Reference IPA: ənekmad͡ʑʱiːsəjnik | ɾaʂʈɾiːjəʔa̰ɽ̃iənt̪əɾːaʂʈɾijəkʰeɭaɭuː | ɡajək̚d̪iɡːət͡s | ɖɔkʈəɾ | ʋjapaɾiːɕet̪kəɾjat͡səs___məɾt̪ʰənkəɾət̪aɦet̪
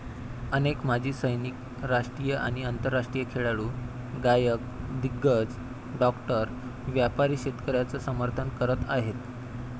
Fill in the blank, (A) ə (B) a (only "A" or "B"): A